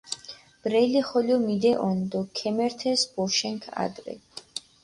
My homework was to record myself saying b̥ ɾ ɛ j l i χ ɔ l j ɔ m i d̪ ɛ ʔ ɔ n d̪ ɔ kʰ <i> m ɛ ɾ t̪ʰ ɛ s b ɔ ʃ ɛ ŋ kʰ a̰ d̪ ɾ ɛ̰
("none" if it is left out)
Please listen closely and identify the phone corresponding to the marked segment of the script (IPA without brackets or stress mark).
ɛ